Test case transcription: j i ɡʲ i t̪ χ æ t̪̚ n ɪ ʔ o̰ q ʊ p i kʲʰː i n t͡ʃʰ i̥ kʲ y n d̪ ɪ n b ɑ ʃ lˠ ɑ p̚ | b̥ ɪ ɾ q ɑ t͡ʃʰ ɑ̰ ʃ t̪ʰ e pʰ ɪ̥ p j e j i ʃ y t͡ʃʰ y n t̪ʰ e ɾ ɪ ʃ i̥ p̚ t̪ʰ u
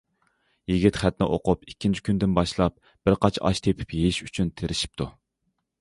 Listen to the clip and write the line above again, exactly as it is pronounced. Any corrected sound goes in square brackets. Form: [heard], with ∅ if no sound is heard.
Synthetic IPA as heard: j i ɡʲ i t̪ χ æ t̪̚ n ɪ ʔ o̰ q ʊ p i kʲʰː i n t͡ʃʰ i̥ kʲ y n d̪ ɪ n b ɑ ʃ lˠ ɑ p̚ | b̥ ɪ ɾ q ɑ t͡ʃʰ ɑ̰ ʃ t̪ʰ e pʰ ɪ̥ p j e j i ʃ y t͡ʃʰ y n t̪ʰ e ɾ ɪ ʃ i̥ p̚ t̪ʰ u